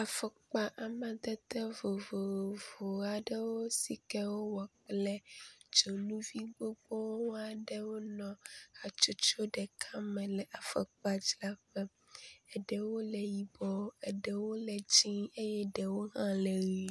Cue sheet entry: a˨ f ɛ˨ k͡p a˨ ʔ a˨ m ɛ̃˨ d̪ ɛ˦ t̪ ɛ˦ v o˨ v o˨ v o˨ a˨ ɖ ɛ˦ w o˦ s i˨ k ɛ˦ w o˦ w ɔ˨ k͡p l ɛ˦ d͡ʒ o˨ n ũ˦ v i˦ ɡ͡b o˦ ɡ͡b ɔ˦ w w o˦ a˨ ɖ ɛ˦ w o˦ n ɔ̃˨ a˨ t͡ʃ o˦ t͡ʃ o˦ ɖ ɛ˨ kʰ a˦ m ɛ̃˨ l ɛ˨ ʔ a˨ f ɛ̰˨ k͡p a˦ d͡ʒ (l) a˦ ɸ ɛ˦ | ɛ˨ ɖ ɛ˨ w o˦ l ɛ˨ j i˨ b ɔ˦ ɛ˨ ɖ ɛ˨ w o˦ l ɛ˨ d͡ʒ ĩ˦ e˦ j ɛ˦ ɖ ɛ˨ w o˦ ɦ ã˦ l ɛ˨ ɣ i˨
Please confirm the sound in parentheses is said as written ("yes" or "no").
yes